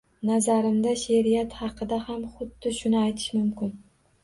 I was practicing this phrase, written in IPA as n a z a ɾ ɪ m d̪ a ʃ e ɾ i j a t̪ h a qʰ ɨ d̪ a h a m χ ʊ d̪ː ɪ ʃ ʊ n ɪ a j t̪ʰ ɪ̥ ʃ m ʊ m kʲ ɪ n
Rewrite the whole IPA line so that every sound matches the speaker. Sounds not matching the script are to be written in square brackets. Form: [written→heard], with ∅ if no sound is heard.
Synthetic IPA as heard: n a z a ɾ ɪ m d̪ a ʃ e ɾ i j a t̪ h [a→ɑ] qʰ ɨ d̪ a h a m χ ʊ d̪ː ɪ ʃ ʊ n ɪ a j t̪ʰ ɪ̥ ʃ m ʊ m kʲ ɪ n